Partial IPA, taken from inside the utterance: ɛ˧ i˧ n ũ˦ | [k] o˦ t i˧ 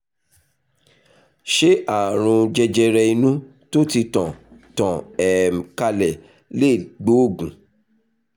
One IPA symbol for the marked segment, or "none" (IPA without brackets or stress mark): t